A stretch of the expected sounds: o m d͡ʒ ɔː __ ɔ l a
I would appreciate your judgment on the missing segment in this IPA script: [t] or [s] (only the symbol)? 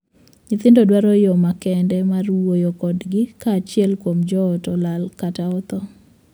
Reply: t